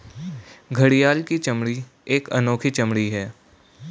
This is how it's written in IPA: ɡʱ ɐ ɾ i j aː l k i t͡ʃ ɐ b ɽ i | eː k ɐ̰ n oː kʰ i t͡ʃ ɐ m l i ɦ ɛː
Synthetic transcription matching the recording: ɡʱ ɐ ɽ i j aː l k i t͡ʃ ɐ m ɽ i | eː k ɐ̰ n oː kʰ i t͡ʃ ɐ m ɽ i ɦ ɛː